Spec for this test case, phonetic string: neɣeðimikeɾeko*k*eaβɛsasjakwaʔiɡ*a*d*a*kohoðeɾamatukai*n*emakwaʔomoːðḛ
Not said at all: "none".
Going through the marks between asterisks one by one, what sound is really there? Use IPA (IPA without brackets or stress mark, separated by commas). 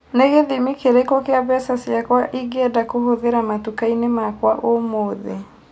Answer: k, ɛ, a, n